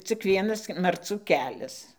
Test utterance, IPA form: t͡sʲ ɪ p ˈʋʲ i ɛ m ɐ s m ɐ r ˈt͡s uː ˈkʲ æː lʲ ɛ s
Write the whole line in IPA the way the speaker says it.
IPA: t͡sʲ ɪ k ˈʋʲ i ɛ n ɐ s m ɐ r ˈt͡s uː ˈkʲ æː lʲ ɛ s

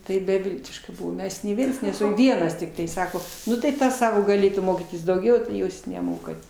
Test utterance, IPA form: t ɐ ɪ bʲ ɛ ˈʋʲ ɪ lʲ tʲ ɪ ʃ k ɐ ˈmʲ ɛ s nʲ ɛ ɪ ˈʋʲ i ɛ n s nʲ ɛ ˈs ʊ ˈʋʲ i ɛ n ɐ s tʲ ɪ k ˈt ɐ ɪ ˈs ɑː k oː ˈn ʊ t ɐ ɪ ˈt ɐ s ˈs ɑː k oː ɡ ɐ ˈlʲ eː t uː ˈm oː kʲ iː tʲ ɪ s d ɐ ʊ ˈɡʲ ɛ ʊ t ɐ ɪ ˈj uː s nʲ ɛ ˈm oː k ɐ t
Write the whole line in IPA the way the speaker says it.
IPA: t ɐ ɪ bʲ ɛ ˈʋʲ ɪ lʲ tʲ ɪ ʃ k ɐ ˈmʲ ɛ s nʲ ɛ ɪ ˈʋʲ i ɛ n s nʲ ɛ ˈs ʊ ˈʋʲ i ɛ n ɐ s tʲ ɪ k ˈt ɐ ɪ ˈs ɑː k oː ˈn ʊ t ɐ ɪ ˈt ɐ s ˈs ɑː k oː ɡ ɐ ˈlʲ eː t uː ˈm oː kʲ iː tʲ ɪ s d ɐ ʊ ˈɡʲ ɛ ʊ t ɐ ɪ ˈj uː s nʲ ɛ ˈm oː k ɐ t

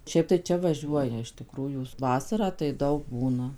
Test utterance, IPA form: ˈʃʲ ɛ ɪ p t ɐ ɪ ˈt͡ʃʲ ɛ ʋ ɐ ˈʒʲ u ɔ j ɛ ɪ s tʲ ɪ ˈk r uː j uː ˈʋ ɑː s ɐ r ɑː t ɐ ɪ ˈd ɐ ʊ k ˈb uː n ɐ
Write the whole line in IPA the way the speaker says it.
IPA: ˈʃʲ ɛ ɪ p t ɐ ɪ ˈt͡ʃʲ ɛ ʋ ɐ ˈʒʲ u ɔ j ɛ ɪ ʃ tʲ ɪ ˈk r uː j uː ˈʋ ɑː s ɐ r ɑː t ɐ ɪ ˈd ɐ ʊ k ˈb uː n ɐ

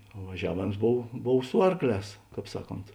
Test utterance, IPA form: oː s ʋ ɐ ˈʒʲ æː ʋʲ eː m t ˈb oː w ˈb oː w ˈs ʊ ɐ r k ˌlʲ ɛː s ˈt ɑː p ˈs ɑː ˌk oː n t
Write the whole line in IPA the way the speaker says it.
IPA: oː ʋ ɐ ˈʒʲ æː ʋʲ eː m s ˈb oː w ˈb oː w ˈs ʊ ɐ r k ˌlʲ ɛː s ˈk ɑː p ˈs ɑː ˌk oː n t

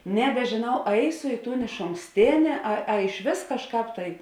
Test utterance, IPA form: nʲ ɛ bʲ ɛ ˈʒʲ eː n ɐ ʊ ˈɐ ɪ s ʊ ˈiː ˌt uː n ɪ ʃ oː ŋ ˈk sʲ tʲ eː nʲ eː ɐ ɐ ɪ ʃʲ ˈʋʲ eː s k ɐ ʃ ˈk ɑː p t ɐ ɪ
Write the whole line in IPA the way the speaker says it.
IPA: nʲ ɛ bʲ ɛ ˈʒʲ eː n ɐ ʊ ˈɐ ɪ s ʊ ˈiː ˌt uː n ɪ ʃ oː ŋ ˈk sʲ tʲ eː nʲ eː ɐ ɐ ɪ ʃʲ ˈʋʲ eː s k ɐ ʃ ˈk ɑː p t ɐ ɪ

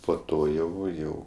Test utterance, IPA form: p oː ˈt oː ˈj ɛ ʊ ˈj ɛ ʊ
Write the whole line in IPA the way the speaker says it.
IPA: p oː ˈt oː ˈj ɛ ʊ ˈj ɛ ʊ

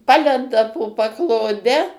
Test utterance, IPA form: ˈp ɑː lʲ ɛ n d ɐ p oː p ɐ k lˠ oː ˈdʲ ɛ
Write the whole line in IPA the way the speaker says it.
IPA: ˈp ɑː lʲ ɛ n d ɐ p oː p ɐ k lˠ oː ˈdʲ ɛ

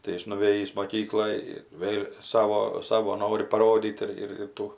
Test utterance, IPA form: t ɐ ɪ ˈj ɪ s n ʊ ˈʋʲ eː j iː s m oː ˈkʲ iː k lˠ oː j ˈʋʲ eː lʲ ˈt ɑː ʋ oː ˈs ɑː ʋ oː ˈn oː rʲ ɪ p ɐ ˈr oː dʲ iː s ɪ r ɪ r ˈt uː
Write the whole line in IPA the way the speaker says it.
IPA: t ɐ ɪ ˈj ɪ s n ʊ ˈʋʲ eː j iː s m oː ˈkʲ iː k lˠ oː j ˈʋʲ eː lʲ ˈs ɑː ʋ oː ˈs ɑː ʋ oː ˈn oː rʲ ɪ p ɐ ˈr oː dʲ iː t ɪ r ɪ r ˈt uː

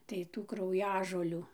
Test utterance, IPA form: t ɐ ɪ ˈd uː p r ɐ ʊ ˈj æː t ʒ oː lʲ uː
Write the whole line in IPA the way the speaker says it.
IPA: t ɐ ɪ ˈt uː k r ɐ ʊ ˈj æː ʒ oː lʲ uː

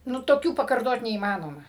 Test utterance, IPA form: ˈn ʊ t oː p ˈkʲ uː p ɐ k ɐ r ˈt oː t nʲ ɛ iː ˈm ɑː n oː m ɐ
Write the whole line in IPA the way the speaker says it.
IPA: ˈn ʊ t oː ˈkʲ uː p ɐ k ɐ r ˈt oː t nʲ ɛ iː ˈm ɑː n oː m ɐ

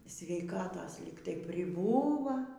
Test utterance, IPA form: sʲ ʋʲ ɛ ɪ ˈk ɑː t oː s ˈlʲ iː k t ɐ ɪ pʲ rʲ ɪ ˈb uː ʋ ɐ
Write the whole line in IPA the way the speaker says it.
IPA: sʲ ʋʲ ɛ ɪ ˈk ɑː t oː s ˈlʲ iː k t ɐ ɪ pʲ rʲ ɪ ˈb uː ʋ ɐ

